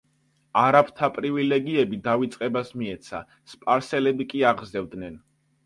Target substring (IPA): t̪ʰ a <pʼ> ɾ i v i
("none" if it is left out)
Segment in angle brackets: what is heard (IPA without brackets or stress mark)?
pʼ